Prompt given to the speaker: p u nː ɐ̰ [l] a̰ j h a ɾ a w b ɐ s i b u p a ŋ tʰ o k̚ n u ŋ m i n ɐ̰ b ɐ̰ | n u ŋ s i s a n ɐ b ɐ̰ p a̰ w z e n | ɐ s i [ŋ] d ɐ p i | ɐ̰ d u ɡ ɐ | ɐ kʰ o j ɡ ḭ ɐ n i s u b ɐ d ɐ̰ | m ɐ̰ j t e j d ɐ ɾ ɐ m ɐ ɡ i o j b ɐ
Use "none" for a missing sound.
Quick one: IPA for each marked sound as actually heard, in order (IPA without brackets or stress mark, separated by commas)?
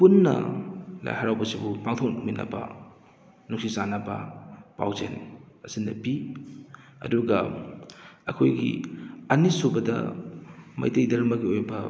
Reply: l, n